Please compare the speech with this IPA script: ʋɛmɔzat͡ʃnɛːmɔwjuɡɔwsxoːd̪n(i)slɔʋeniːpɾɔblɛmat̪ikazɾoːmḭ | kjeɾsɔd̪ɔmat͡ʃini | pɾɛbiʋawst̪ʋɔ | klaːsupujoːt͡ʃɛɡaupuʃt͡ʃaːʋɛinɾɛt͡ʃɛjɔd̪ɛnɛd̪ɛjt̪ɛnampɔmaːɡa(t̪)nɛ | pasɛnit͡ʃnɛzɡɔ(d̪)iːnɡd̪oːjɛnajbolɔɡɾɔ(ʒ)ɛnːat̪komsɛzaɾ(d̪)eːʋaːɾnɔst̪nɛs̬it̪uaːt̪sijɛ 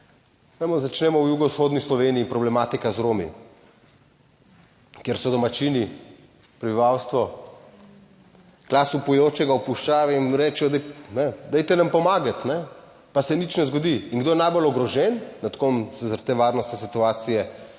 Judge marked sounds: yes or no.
yes, yes, yes, yes, no

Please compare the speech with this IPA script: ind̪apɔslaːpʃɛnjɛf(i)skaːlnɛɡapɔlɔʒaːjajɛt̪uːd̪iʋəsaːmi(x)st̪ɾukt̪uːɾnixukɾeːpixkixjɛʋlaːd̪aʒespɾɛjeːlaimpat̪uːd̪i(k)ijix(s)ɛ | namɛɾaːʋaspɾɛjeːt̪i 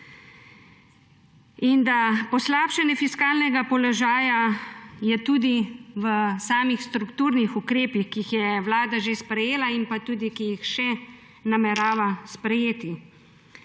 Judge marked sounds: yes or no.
yes, yes, yes, no

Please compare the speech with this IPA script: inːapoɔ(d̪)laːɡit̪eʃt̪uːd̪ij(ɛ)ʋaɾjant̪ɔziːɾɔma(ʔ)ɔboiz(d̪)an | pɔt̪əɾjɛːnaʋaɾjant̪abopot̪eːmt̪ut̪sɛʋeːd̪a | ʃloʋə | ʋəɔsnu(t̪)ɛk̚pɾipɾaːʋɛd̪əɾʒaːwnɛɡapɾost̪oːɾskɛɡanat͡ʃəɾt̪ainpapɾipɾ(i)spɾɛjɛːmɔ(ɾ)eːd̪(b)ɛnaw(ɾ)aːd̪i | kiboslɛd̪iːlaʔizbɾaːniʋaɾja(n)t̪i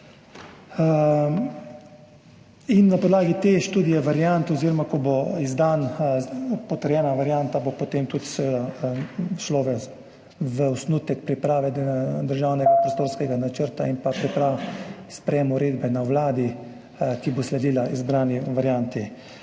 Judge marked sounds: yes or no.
yes, yes, no, yes, yes, no, yes, yes, no, yes

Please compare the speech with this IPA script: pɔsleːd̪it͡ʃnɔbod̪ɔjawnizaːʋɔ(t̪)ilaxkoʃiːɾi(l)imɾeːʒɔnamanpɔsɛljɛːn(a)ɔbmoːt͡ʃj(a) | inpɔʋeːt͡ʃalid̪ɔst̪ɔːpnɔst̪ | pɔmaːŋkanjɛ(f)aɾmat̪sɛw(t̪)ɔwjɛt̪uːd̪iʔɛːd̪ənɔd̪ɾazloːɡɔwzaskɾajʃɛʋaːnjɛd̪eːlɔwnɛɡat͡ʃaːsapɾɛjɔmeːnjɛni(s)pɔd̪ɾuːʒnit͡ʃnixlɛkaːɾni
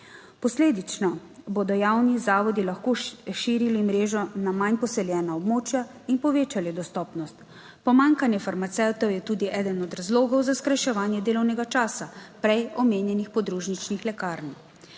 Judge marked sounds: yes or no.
no, yes, yes, yes, yes, yes, no

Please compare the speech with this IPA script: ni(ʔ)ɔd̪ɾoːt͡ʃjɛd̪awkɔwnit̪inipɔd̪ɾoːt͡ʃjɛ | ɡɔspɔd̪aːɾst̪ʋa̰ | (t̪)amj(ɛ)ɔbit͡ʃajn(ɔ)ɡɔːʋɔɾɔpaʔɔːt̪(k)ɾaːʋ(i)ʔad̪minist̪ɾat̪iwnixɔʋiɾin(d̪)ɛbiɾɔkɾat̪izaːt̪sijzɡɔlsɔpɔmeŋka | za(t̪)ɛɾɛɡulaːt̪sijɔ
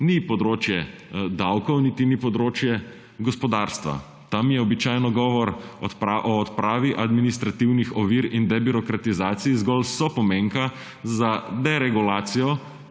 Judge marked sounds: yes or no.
no, yes, yes, yes, no, yes, yes, no

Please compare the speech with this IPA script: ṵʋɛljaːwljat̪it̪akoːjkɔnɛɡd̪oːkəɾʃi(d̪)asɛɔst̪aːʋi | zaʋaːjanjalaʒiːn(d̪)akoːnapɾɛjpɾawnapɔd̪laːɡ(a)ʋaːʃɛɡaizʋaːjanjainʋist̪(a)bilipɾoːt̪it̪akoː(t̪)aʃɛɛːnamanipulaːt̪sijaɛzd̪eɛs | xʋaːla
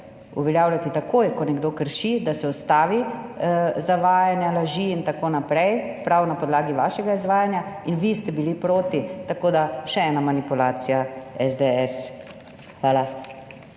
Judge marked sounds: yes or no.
yes, no, no, no, no

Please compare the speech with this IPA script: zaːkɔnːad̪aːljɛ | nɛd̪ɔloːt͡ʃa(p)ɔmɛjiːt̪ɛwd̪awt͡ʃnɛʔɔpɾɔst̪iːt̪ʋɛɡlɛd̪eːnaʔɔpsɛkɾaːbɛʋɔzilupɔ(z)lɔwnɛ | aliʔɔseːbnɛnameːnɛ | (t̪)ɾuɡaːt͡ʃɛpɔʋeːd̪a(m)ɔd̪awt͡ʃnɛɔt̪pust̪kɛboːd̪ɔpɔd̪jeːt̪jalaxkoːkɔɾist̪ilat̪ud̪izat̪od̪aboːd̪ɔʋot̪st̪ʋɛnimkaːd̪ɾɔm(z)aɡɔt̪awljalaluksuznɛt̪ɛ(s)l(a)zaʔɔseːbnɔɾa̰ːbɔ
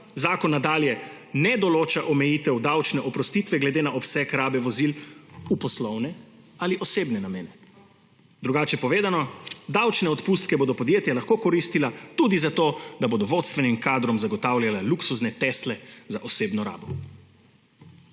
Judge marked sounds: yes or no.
no, no, no, no, yes, yes, no

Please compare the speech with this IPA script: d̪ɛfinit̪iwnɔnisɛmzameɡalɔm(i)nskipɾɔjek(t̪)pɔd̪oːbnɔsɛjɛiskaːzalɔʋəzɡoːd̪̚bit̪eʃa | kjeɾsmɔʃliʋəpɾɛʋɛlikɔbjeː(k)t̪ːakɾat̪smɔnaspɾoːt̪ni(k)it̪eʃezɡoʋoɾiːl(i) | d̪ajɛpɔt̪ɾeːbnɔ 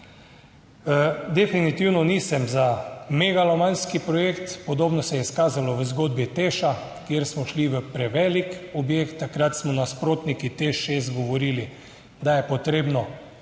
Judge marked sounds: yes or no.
no, yes, yes, yes, yes

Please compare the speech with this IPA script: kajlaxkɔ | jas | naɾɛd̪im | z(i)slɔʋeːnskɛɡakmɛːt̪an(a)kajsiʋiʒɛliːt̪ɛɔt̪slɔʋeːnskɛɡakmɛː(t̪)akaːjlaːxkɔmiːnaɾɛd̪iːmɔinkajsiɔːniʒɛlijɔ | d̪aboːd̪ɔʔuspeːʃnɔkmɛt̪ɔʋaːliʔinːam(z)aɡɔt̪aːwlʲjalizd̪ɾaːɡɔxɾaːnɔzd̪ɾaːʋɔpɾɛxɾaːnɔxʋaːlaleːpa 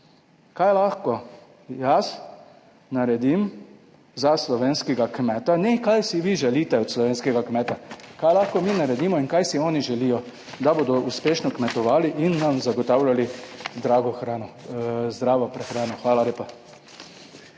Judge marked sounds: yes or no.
no, no, yes, yes

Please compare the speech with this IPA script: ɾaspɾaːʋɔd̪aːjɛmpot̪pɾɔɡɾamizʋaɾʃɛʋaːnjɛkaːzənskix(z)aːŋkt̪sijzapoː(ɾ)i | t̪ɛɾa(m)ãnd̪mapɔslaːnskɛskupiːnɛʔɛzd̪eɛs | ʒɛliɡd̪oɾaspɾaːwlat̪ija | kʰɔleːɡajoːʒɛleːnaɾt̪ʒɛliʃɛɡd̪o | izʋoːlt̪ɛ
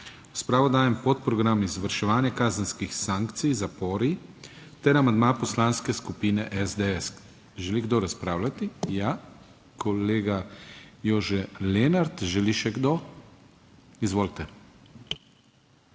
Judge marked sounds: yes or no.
no, yes, yes

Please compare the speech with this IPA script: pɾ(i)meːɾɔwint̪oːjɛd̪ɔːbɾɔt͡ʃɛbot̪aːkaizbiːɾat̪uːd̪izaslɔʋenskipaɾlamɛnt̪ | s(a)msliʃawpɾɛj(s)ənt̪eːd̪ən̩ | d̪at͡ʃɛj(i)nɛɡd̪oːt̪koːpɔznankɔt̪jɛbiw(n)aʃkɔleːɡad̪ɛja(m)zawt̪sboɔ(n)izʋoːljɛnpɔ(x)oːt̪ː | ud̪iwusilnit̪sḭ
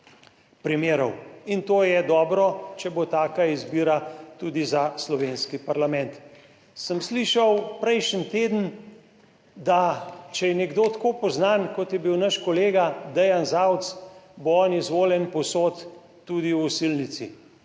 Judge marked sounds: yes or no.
yes, no, no, no, yes, no, yes, no

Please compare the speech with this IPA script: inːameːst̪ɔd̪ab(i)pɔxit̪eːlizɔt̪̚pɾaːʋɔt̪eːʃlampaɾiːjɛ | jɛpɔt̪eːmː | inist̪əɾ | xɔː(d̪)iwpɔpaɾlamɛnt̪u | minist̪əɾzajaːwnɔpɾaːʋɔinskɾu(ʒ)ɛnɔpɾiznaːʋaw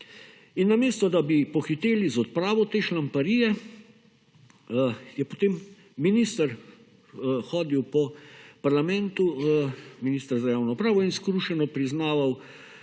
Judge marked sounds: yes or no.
yes, yes, no

